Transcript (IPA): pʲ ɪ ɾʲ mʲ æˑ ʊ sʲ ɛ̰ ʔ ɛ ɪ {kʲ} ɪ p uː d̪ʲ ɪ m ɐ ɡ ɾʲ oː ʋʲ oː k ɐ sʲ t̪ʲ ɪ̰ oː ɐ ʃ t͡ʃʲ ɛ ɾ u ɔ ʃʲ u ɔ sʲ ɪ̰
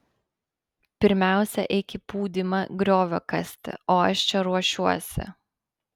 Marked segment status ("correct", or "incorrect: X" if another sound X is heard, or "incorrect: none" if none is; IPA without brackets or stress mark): correct